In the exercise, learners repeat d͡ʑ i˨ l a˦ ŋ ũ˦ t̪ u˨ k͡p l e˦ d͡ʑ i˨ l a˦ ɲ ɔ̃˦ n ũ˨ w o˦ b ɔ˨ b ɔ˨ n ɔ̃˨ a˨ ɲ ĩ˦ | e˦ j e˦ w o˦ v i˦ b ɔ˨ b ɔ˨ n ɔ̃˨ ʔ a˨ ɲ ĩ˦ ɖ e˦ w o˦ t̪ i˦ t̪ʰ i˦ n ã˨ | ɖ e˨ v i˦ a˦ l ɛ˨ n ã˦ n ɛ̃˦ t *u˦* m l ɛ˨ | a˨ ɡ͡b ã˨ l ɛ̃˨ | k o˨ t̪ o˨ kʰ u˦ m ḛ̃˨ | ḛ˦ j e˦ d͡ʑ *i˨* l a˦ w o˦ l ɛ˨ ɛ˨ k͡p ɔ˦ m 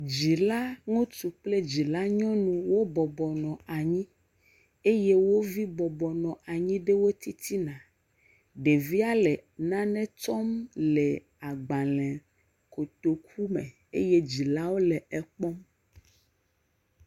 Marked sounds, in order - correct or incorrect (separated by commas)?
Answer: incorrect, correct